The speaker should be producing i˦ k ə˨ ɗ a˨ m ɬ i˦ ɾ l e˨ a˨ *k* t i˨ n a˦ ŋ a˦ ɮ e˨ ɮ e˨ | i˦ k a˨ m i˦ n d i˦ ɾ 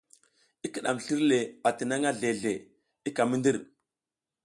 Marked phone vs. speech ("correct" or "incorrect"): incorrect